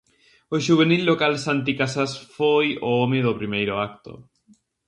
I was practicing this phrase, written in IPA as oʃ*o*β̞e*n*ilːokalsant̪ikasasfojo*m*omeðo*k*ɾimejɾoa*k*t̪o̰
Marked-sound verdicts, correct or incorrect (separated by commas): incorrect, correct, incorrect, incorrect, correct